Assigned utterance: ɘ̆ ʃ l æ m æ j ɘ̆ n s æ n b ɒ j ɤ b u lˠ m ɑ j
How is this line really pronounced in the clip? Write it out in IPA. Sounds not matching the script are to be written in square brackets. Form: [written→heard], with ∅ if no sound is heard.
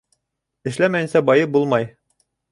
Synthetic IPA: ɘ̆ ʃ l æ m æ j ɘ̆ n s æ [n→∅] b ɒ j ɤ b u lˠ m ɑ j